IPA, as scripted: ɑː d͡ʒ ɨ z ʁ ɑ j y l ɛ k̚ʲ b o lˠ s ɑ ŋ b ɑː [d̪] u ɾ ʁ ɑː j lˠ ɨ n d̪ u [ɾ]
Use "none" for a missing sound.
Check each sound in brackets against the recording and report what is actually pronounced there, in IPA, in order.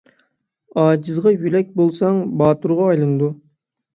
t̪, none

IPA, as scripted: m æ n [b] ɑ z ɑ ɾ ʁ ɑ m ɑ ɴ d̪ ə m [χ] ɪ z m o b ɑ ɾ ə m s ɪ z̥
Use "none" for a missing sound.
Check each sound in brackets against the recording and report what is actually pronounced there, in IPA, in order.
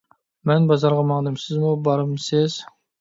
b, s

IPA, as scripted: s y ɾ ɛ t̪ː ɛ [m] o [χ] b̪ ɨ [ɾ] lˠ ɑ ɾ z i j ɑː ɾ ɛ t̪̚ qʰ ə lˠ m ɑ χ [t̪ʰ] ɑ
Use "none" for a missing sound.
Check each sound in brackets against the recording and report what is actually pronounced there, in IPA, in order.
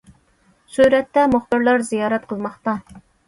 m, χ, ɾ, t̪

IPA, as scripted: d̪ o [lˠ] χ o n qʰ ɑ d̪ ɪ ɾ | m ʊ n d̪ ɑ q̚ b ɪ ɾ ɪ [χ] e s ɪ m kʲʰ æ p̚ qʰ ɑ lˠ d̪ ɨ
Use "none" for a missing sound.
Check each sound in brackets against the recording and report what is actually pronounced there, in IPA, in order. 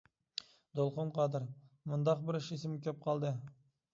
lˠ, ʃ

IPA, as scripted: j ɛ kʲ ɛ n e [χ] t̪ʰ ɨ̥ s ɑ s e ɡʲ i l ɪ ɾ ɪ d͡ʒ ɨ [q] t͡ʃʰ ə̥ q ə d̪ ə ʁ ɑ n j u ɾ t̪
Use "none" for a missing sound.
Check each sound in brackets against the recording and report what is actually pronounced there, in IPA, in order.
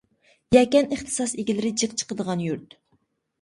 χ, q

